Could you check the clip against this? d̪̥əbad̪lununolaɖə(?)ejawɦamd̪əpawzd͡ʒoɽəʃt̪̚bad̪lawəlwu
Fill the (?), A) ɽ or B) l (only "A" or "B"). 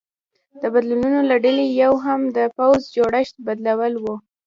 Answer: B